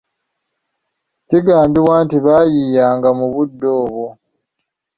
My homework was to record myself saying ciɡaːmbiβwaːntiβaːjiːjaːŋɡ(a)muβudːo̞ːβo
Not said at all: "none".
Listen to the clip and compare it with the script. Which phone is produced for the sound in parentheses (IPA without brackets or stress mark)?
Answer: a